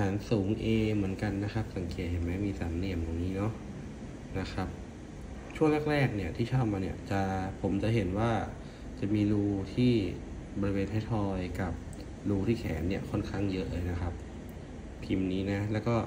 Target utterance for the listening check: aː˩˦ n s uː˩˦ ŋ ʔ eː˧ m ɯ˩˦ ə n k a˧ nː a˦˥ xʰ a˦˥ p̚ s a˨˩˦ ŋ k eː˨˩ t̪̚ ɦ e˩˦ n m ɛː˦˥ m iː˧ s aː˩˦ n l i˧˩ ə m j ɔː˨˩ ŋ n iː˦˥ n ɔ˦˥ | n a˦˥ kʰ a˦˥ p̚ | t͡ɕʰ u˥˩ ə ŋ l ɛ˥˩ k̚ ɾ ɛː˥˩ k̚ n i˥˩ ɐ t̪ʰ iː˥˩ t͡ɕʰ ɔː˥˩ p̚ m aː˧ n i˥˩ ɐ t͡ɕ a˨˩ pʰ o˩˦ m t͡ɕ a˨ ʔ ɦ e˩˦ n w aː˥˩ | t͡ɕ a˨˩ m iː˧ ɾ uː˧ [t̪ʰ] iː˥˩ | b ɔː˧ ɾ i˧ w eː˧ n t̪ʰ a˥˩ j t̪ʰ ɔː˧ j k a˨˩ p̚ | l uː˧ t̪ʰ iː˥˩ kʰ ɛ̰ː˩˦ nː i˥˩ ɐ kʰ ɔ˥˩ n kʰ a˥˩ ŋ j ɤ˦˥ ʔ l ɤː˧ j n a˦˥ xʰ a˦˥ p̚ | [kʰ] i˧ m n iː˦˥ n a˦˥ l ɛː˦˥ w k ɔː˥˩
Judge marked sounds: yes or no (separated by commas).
yes, no